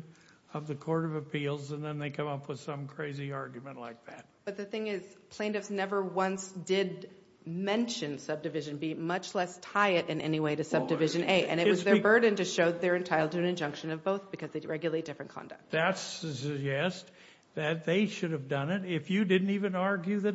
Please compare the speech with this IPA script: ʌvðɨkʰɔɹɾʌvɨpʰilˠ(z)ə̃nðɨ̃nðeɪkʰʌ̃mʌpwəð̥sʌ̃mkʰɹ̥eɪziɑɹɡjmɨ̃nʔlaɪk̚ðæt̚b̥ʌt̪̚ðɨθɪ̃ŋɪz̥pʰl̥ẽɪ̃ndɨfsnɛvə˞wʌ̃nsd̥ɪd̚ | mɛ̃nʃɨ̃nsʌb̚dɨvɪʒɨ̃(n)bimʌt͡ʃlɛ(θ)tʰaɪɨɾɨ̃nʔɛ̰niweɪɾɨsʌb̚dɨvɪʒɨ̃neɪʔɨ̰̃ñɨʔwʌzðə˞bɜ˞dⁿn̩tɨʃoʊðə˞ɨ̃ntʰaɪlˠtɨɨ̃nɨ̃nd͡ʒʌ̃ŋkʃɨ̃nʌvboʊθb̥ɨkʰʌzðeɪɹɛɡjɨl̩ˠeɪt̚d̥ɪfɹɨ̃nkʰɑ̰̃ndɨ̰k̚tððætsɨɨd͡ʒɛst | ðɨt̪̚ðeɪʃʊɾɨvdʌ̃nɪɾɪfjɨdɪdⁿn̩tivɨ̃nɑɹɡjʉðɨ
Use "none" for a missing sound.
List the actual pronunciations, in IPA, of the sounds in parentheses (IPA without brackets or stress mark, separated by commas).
z, n, s